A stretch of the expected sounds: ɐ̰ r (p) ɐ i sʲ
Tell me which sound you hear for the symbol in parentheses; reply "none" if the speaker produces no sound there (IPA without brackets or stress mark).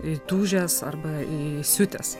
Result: b